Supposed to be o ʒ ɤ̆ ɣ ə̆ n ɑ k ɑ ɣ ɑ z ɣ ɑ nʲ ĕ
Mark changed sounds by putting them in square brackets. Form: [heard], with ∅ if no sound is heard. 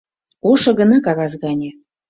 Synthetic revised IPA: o [ʃ] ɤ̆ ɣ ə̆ n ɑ k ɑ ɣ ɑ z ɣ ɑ nʲ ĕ

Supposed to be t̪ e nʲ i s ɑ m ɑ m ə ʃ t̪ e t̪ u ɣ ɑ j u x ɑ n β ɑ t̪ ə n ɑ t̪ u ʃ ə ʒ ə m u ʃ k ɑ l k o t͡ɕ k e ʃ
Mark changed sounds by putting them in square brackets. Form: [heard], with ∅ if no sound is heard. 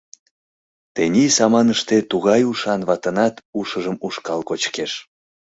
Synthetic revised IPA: t̪ e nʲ i s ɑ m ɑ [n] ə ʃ t̪ e t̪ u ɣ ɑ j u [ʃ] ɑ n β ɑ t̪ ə n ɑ t̪ u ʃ ə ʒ ə m u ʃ k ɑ l k o t͡ɕ k e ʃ

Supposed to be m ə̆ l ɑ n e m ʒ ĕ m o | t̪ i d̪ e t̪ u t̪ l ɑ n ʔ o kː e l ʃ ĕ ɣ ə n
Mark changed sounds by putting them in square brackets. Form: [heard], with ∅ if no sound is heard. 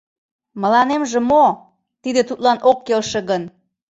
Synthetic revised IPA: m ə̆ l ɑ n e m ʒ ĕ m o | t̪ i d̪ e t̪ u t̪ l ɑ n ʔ o kː e l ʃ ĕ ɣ ə n

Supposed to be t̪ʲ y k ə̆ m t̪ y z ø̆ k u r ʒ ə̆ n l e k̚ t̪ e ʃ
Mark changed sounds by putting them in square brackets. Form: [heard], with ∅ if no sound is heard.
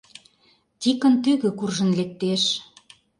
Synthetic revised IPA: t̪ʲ [i] k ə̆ [n] t̪ y [ɣ] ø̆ k u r ʒ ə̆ n l e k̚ t̪ e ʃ

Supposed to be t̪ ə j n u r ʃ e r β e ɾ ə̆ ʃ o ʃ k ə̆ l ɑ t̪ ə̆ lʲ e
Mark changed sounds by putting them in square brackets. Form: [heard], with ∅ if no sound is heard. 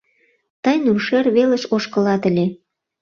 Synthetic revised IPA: t̪ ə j n u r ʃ e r β e [l] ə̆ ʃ o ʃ k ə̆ l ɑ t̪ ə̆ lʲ e

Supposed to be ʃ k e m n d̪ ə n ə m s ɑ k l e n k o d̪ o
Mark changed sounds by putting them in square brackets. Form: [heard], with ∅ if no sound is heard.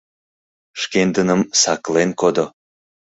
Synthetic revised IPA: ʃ k e [∅] n d̪ ə n ə m s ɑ k l e n k o d̪ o

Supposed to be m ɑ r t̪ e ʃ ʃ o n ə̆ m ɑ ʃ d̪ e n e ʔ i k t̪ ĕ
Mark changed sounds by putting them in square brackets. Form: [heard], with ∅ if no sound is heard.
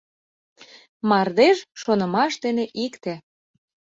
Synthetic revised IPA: m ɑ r [d̪] e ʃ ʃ o n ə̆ m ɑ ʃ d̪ e n e ʔ i k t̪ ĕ

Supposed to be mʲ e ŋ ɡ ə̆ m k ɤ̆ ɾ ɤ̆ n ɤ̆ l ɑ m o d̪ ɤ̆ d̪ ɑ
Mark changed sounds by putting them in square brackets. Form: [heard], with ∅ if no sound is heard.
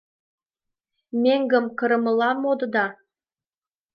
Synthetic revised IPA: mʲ e ŋ ɡ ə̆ m k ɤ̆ ɾ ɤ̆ [m] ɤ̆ l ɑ m o d̪ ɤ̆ d̪ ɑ

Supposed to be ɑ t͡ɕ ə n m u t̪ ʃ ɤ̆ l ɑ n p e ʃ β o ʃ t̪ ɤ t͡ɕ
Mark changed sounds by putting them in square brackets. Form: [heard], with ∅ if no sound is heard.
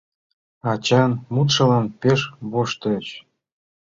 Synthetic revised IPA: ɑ t͡ɕ [ɑ] n m u t̪ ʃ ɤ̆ l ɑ n p e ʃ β o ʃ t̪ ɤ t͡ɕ

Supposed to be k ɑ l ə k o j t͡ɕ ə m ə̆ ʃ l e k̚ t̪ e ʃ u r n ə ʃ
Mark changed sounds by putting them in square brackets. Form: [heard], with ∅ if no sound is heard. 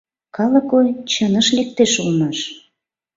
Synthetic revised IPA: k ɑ l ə k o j t͡ɕ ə [n] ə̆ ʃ l e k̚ t̪ e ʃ u [l] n [ɑ] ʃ

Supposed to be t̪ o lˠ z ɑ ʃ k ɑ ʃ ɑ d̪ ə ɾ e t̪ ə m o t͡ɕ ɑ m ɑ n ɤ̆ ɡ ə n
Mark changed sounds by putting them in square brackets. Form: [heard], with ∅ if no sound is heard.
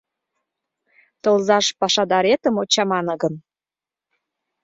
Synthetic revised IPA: t̪ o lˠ z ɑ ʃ [p] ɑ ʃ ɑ d̪ [ɑ] ɾ e t̪ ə m o t͡ɕ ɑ m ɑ n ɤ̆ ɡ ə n

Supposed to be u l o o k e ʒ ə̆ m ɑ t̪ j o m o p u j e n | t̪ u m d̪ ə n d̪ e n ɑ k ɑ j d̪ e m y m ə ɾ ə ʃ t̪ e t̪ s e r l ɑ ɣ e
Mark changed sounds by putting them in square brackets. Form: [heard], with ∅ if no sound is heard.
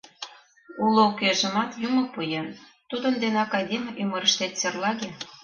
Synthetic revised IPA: u l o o k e ʒ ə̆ m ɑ t̪ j [u] m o p u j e n | t̪ u [∅] d̪ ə n d̪ e n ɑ k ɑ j d̪ e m y m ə ɾ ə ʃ t̪ e t̪ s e r l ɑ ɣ e

